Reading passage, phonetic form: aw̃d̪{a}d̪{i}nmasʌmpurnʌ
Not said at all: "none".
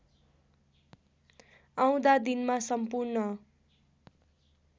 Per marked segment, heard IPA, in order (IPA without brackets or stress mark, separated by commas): a, i